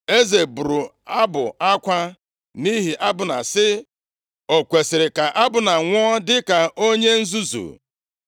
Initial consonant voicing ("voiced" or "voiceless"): voiced